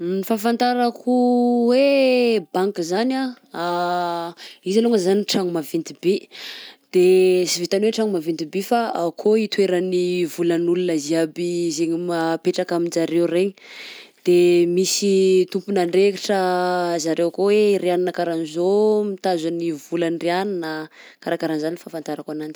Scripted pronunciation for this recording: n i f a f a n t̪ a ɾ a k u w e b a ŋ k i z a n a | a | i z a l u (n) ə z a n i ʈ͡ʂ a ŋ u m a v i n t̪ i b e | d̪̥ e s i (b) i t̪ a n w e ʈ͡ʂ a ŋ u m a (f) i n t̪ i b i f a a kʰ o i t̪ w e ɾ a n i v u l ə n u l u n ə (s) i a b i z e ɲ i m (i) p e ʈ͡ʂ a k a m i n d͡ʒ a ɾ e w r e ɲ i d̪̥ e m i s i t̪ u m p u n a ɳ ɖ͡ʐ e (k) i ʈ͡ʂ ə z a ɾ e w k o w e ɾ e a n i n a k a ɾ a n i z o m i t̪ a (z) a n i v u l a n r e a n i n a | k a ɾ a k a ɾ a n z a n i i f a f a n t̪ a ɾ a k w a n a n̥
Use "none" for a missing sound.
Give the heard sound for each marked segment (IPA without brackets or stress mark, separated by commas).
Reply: ŋ, v, v, z, a, k, z